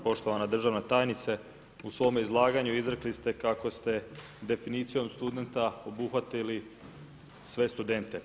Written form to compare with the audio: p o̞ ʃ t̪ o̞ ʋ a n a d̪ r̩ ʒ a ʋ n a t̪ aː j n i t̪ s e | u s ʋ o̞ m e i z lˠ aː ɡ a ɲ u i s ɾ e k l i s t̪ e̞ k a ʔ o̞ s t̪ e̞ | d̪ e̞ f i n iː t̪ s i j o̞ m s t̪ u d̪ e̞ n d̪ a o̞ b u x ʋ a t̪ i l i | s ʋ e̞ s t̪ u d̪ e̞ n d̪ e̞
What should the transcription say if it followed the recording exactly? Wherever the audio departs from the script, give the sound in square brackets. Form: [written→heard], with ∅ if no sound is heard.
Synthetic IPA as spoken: p o̞ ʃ t̪ o̞ ʋ a n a d̪ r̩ ʒ a ʋ n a t̪ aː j n i t̪ s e | u s ʋ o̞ m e i z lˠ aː ɡ a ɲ u i [s→z] ɾ e k l i s t̪ e̞ k a [ʔ→k] o̞ s t̪ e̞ | d̪ e̞ f i n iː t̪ s i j o̞ m s t̪ u d̪ e̞ n [d̪→t̪] a o̞ b u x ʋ a t̪ i l i | s ʋ e̞ s t̪ u d̪ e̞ n [d̪→t̪] e̞